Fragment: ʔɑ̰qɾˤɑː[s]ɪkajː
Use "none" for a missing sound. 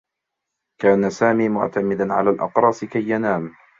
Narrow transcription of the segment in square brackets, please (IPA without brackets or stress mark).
s